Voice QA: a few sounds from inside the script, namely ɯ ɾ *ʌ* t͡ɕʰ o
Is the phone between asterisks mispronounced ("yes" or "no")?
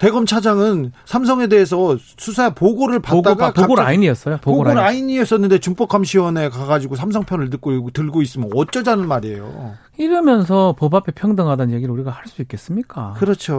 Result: no